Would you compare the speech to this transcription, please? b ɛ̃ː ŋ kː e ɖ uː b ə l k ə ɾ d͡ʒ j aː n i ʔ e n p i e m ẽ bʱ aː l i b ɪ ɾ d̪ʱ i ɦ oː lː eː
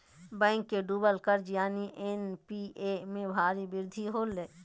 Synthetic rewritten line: b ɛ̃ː ŋ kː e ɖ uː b ə l k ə ɾ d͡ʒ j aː n i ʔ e n p i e m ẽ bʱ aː ɾ i b ɪ ɾ d̪ʱ i ɦ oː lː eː